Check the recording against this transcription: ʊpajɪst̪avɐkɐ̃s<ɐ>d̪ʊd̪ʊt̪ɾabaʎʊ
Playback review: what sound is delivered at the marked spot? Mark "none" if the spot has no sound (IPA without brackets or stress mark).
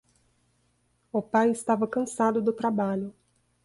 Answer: a